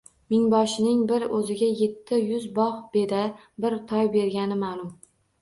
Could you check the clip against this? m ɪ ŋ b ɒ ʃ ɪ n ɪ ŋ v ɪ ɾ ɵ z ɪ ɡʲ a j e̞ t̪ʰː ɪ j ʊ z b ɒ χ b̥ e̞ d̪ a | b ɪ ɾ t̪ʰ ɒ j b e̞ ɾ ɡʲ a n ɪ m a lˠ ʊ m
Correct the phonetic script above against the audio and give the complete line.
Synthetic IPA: m ɪ ŋ b ɒ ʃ ɪ n ɪ ŋ b ɪ ɾ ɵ z ɪ ɡʲ a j e̞ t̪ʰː ɪ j ʊ z b ɒ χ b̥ e̞ d̪ a | b ɪ ɾ t̪ʰ ɒ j b e̞ ɾ ɡʲ a n ɪ m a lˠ ʊ m